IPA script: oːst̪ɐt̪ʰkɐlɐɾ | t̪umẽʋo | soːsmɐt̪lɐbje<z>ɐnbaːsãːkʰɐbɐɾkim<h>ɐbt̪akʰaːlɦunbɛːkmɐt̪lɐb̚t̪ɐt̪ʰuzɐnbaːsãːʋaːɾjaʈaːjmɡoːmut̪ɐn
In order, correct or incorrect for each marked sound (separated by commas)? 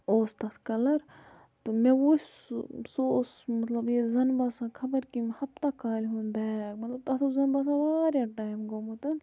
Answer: correct, correct